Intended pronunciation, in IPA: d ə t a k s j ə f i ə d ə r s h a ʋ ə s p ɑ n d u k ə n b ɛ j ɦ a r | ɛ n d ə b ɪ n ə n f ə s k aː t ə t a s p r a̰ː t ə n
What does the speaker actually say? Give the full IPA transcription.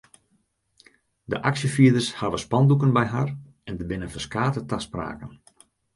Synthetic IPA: d ə ʔ a k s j ə f i ə d ə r s h a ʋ ə s p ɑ n d u k ə n b ɛ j ɦ a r | ɛ n d ə b ɪ n ə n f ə s k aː t ə t a s p r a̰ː k ə n